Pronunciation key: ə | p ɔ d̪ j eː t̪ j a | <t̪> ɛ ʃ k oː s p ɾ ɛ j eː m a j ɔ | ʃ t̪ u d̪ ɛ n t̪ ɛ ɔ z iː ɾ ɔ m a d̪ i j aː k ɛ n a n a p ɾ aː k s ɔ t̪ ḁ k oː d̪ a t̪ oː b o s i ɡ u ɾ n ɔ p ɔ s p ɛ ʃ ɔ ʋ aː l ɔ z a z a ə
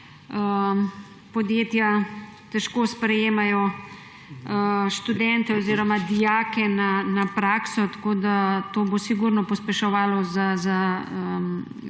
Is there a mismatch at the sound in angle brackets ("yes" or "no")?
no